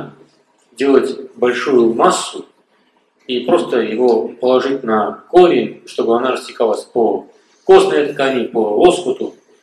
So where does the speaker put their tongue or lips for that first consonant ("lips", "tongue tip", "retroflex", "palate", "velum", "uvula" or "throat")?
tongue tip